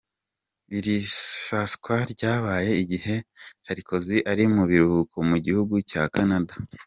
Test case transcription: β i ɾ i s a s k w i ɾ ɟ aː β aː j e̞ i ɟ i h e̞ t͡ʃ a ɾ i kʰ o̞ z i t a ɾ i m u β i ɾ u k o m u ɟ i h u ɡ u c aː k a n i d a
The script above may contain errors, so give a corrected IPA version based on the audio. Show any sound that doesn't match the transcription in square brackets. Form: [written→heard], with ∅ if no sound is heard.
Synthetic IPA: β i ɾ i s a s k w [i→a] ɾ ɟ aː β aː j e̞ i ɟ i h e̞ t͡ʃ a ɾ i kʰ o̞ z i [t→ʔ] a ɾ i m u β i ɾ u k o m u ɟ i h u ɡ u c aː k a n [i→a] d a